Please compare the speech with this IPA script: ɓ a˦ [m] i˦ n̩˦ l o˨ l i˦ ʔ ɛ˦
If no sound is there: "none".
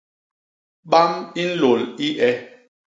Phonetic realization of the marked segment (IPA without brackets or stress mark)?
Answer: m